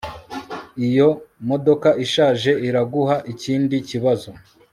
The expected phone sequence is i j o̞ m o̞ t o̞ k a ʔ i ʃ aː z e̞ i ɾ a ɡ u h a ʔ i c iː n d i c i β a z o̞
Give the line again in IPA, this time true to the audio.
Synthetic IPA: i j o̞ m o̞ d o̞ k a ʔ i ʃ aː ʒ e̞ i ɾ a ɡ u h a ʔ i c iː n d i c i β a z o̞